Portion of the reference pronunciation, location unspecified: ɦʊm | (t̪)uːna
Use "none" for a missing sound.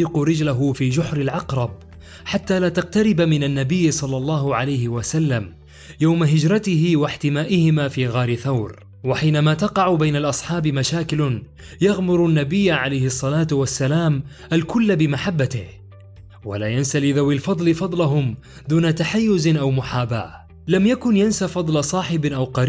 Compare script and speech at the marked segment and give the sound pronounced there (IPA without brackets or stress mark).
d̪